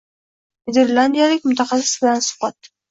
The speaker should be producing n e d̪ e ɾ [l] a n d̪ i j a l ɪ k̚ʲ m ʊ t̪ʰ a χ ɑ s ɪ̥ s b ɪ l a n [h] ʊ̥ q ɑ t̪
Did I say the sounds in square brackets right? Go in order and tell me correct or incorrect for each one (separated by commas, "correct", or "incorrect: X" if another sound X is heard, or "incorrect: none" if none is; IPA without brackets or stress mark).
correct, incorrect: s